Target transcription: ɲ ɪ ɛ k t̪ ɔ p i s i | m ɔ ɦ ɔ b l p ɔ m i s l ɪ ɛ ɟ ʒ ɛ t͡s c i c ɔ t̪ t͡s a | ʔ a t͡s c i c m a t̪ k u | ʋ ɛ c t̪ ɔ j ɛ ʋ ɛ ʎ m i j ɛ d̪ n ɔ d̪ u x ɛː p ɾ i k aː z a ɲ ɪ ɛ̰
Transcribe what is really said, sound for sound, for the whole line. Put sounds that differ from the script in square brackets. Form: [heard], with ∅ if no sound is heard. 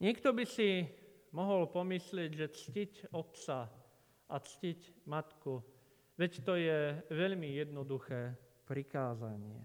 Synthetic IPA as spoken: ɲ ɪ ɛ k t̪ ɔ [b] i s i | m ɔ ɦ ɔ [∅] l p ɔ m i s l ɪ ɛ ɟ ʒ ɛ t͡s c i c ɔ t̪ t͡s a | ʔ a t͡s c i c m a t̪ k u | ʋ ɛ c t̪ ɔ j ɛ ʋ ɛ ʎ m i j ɛ d̪ n ɔ d̪ u x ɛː p ɾ i k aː z a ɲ ɪ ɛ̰